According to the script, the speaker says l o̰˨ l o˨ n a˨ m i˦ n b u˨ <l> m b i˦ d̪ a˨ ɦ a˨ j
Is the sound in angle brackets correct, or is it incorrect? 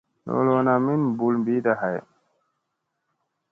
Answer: correct